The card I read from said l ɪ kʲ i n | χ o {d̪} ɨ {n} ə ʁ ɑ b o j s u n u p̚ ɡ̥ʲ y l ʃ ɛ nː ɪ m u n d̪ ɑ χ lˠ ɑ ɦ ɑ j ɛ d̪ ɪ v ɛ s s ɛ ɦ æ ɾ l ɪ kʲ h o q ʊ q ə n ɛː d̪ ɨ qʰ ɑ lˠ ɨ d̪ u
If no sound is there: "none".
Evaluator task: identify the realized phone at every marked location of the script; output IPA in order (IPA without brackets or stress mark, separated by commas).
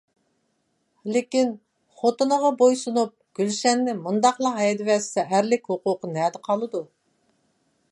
t̪, n